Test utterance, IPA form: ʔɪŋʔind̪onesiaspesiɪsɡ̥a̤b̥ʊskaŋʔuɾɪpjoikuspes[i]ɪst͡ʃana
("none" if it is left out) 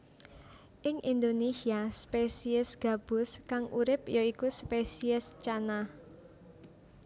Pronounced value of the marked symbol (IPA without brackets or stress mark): i